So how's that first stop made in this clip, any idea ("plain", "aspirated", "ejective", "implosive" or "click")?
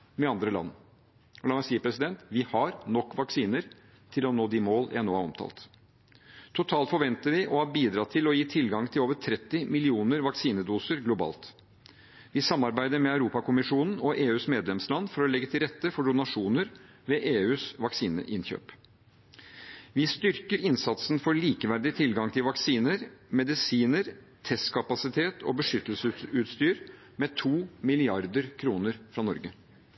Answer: plain